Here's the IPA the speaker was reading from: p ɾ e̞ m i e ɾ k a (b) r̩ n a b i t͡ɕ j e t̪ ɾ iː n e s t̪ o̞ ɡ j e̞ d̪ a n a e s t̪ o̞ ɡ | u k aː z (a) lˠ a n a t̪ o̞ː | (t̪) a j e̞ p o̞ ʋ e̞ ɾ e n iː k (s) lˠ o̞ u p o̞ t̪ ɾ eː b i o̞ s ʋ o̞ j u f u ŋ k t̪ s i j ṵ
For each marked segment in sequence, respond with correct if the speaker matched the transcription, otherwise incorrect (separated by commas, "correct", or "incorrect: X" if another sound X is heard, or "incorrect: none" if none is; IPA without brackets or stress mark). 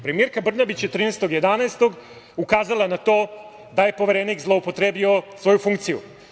correct, correct, incorrect: d̪, incorrect: z